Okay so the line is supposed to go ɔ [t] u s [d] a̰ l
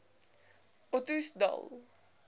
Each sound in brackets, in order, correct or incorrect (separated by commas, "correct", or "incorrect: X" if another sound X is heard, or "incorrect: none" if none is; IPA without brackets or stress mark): correct, correct